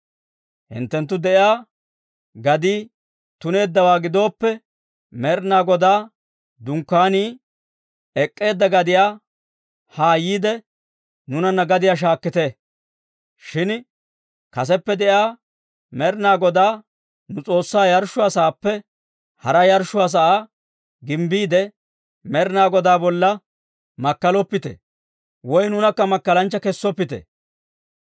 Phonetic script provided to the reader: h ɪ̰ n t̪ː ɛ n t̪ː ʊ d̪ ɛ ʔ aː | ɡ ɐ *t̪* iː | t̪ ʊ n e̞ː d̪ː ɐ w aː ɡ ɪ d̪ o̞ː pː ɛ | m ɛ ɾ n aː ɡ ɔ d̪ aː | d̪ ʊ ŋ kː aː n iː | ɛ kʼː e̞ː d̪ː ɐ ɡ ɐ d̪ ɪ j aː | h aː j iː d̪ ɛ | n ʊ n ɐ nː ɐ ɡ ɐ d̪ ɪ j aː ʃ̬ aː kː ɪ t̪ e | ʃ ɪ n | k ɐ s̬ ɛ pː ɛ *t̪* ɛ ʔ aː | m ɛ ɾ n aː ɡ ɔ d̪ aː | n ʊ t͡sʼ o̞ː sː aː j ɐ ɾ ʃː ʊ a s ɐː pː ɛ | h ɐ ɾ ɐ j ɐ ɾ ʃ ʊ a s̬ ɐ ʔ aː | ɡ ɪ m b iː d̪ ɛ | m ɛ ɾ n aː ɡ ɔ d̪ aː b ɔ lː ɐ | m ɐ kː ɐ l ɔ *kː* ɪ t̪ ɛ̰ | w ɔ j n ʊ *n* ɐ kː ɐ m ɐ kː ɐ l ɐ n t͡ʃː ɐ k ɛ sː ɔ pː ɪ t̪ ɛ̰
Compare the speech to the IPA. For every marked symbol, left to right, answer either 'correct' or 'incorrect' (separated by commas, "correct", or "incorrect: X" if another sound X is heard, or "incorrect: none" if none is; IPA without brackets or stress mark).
incorrect: d̪, incorrect: d̪, incorrect: pː, correct